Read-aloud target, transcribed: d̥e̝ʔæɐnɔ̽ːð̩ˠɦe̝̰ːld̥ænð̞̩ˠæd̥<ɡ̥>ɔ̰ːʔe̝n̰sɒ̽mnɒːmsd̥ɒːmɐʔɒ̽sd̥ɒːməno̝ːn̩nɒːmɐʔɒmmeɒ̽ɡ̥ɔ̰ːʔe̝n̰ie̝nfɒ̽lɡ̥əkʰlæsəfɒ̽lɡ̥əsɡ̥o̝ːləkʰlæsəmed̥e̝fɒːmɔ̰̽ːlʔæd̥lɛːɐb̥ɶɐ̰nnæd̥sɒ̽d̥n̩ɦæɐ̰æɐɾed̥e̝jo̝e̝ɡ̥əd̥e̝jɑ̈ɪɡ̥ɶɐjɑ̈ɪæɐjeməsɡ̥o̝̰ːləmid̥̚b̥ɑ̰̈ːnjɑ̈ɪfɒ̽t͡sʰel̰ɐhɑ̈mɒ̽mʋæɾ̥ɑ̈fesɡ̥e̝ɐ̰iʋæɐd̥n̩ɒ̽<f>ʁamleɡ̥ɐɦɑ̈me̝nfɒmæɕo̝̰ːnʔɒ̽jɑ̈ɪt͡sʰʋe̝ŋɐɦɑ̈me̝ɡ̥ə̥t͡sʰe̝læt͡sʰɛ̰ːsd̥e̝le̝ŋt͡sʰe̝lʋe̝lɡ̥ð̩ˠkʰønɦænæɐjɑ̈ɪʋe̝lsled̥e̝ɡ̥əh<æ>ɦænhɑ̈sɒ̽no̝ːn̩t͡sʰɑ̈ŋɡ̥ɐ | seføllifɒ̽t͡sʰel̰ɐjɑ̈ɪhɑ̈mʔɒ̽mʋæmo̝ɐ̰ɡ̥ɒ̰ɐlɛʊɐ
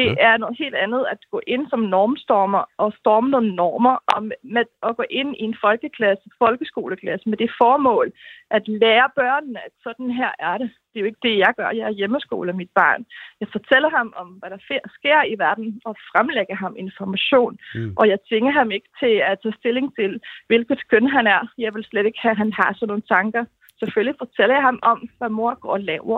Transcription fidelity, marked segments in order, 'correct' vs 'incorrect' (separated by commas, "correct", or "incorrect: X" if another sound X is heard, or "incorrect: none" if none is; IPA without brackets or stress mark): correct, correct, correct